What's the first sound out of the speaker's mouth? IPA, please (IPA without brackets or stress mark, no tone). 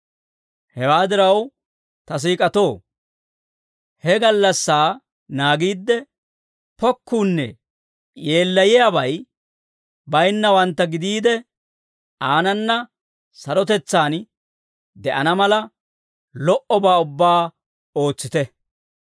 h